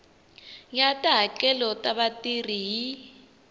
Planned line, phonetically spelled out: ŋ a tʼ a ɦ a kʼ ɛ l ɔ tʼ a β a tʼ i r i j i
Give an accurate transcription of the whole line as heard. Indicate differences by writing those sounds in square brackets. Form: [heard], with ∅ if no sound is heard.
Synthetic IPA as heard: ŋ a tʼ a ɦ a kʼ ɛ l ɔ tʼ a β a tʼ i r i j i